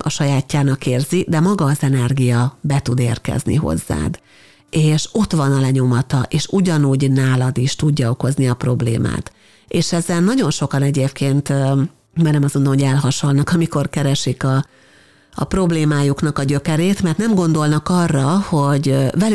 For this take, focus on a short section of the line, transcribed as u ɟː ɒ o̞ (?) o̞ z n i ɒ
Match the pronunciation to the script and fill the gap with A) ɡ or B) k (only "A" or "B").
B